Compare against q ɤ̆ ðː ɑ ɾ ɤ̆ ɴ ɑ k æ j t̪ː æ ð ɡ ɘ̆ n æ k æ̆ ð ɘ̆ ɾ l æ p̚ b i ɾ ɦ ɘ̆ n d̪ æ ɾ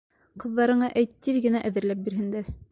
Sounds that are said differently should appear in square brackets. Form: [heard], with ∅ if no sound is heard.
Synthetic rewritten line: q ɤ̆ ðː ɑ ɾ ɤ̆ ɴ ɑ [ʔ] æ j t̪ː [i] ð ɡ ɘ̆ n æ [ʔ] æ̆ ð ɘ̆ ɾ l æ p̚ b i ɾ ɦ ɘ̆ n d̪ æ ɾ